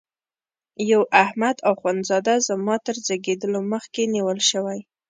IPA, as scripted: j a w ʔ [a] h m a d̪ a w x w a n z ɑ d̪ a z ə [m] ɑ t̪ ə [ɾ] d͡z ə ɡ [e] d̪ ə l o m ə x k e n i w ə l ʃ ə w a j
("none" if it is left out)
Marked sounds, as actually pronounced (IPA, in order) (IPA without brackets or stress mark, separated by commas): a, m, ɾ, e